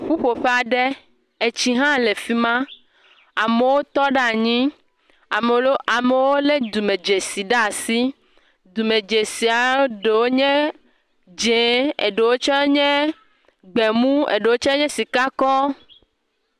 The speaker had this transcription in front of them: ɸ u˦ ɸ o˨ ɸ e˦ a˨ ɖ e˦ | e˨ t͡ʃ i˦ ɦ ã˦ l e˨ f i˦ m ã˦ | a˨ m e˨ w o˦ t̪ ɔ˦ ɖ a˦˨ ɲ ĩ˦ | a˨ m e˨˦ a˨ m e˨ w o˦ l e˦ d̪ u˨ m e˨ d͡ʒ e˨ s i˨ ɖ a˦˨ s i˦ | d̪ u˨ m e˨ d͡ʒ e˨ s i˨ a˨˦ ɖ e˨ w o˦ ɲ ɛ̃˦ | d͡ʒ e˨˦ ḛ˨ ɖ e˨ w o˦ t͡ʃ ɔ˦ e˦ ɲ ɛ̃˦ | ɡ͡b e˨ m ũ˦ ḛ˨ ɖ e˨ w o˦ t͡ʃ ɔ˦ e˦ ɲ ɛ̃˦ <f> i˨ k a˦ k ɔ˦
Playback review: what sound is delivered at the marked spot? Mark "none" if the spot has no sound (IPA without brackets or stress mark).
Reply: s